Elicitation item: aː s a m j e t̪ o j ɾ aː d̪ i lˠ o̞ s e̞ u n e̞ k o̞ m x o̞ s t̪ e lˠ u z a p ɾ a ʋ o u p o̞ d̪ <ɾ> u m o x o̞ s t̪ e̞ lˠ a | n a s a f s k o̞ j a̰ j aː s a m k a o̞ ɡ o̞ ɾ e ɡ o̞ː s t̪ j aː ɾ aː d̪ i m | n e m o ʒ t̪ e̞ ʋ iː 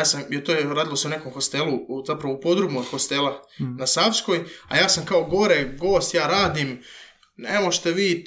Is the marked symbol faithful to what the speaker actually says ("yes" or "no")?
yes